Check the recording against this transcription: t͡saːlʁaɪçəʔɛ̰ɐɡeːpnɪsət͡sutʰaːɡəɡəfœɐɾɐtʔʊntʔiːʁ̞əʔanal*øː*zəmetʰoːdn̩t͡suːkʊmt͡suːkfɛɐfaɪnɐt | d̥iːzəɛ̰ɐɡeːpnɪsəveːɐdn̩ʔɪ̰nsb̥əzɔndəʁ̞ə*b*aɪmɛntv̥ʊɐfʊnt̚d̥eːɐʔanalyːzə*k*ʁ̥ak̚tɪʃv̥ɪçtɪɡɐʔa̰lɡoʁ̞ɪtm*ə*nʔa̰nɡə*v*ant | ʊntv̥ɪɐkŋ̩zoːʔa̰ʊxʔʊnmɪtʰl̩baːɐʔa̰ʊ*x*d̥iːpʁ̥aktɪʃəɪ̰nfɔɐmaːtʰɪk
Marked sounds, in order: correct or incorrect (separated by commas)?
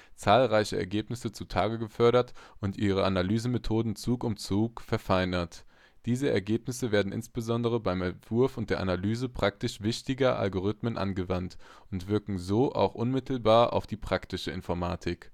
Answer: incorrect, correct, incorrect, correct, correct, incorrect